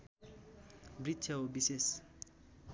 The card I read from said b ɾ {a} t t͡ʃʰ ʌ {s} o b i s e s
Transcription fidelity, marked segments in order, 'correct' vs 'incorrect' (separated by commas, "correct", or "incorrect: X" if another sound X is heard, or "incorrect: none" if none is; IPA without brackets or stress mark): incorrect: i, incorrect: none